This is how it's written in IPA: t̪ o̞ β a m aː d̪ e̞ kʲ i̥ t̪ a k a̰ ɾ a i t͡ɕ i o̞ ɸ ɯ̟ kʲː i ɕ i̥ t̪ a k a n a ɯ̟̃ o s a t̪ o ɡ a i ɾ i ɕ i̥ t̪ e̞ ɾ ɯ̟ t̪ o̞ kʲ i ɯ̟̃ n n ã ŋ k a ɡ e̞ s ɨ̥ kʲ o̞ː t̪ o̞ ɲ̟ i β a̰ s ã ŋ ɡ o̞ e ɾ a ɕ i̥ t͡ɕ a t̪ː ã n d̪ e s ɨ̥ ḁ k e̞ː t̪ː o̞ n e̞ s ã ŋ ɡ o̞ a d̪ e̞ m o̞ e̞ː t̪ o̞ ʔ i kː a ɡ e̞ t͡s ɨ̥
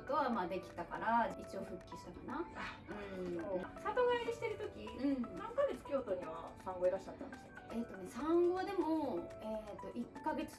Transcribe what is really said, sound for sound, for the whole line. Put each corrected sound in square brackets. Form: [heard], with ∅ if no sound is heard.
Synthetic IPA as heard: t̪ o̞ β a m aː d̪ e̞ kʲ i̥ t̪ a k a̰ ɾ a i t͡ɕ i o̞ ɸ ɯ̟ kʲː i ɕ i̥ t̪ a k a n a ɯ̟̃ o s a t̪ o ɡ a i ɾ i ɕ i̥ t̪ e̞ ɾ ɯ̟ t̪ o̞ kʲ i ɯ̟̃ [ɴ] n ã ŋ k a ɡ e̞ [t͡s] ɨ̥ kʲ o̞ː t̪ o̞ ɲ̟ i β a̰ s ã ŋ ɡ o̞ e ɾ a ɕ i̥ t͡ɕ a t̪ː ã n d̪ e s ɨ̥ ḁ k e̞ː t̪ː o̞ n e̞ s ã ŋ ɡ o̞ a d̪ e̞ m o̞ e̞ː t̪ o̞ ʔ i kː a ɡ e̞ t͡s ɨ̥

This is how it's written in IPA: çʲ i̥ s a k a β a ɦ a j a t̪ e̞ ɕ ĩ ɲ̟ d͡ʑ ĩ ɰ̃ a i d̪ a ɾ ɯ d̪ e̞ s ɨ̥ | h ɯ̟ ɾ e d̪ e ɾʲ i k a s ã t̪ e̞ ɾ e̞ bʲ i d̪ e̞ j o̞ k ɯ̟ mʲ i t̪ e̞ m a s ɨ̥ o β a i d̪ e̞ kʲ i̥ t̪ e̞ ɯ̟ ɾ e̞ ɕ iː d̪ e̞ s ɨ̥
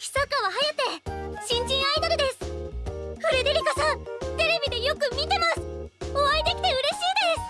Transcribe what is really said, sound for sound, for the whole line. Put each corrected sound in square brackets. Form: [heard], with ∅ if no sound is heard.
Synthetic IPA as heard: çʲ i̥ s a k a β a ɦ a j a t̪ e̞ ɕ ĩ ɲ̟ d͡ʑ ĩ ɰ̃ a i d̪ a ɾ ɯ d̪ e̞ s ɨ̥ | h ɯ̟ ɾ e d̪ e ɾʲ i k a s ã t̪ e̞ ɾ e̞ bʲ i d̪ e̞ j o̞ k ɯ̟ mʲ i t̪ e̞ m a s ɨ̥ o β a i d̪ e̞ kʲ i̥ t̪ e̞ ɯ̟ ɾ e̞ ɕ iː d̪ e̞ s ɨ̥

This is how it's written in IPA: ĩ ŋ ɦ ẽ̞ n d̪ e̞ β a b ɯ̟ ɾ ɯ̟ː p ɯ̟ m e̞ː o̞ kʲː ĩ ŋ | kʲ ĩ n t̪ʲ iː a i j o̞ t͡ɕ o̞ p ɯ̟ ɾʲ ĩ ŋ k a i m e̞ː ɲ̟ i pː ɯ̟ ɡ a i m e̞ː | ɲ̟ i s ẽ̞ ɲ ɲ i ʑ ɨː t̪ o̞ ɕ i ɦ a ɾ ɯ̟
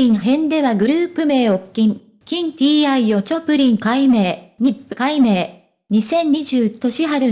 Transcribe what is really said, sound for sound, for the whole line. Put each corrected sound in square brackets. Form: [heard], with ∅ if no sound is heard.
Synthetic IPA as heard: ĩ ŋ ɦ ẽ̞ n d̪ e̞ β a [ɡ] ɯ̟ ɾ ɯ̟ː p ɯ̟ m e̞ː o̞ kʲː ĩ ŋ | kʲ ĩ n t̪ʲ iː a i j o̞ t͡ɕ o̞ p ɯ̟ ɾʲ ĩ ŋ k a i m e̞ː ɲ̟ i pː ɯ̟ [k] a i m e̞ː | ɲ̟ i s ẽ̞ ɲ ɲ i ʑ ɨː t̪ o̞ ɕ i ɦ a ɾ ɯ̟

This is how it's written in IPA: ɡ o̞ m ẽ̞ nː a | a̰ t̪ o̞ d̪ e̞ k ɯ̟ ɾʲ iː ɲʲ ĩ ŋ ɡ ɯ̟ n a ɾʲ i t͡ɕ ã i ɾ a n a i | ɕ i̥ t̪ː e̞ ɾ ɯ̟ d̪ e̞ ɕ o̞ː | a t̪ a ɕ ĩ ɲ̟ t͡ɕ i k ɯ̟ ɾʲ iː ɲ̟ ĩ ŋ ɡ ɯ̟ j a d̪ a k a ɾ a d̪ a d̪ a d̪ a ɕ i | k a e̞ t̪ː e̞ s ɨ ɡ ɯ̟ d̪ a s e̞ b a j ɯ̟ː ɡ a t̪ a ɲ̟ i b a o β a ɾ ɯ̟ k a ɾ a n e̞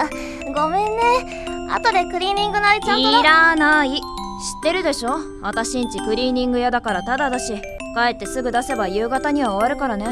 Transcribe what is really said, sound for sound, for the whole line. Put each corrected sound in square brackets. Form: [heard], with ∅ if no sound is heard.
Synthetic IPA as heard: ɡ o̞ m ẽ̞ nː [e] | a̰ t̪ o̞ d̪ e̞ k ɯ̟ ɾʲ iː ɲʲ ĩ ŋ ɡ ɯ̟ n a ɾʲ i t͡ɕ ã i ɾ a n a i | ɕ i̥ t̪ː e̞ ɾ ɯ̟ d̪ e̞ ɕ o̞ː | a t̪ a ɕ ĩ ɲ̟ t͡ɕ i k ɯ̟ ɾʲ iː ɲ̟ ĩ ŋ ɡ ɯ̟ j a d̪ a k a ɾ a [t̪] a d̪ a d̪ a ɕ i | k a e̞ t̪ː e̞ s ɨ ɡ ɯ̟ d̪ a s e̞ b a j ɯ̟ː ɡ a t̪ a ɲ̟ i [β] a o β a ɾ ɯ̟ k a ɾ a n e̞

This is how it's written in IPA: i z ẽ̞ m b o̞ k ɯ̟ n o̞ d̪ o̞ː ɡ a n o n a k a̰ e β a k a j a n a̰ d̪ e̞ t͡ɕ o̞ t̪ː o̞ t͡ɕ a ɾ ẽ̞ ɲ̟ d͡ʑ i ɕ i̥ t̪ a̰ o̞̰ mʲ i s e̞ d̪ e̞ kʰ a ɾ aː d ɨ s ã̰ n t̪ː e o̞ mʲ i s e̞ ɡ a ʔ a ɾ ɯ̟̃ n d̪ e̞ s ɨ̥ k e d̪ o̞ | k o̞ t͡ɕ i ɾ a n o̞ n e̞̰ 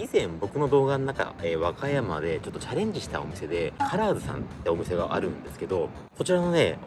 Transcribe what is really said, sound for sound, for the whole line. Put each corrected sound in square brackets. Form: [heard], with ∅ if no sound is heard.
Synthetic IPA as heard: i z ẽ̞ m b o̞ k ɯ̟ n o̞ d̪ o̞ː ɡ a n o n a k a̰ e β a k a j a [m] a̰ d̪ e̞ t͡ɕ o̞ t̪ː o̞ t͡ɕ a ɾ ẽ̞ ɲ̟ d͡ʑ i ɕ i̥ t̪ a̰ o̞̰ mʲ i s e̞ d̪ e̞ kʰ a ɾ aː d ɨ s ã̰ n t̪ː e o̞ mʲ i s e̞ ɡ a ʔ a ɾ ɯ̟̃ n d̪ e̞ s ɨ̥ k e d̪ o̞ | k o̞ t͡ɕ i ɾ a n o̞ n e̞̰

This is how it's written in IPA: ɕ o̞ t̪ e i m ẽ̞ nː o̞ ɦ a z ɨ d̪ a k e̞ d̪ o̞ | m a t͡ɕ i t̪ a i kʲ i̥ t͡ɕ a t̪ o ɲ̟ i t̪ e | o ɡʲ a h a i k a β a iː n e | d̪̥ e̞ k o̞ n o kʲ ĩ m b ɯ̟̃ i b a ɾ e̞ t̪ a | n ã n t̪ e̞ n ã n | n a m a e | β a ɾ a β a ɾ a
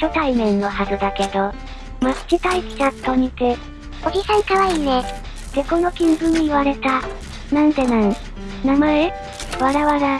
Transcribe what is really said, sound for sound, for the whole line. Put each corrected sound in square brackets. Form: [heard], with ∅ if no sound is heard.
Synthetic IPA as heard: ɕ o̞ t̪ [a] i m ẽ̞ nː o̞ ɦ a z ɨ d̪ a k e̞ d̪ o̞ | m a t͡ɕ i t̪ a i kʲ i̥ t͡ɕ a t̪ o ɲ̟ i t̪ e | o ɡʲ [i] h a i k a β a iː n e | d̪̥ e̞ k o̞ n o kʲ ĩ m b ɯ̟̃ i [β] a ɾ e̞ t̪ a | n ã n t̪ e̞ n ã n | n a m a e | β a ɾ a β a ɾ a

